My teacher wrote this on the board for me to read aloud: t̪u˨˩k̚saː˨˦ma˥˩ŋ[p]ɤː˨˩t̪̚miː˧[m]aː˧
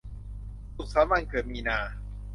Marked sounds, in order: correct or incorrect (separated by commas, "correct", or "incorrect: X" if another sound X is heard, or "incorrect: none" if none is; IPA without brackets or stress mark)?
incorrect: k, incorrect: n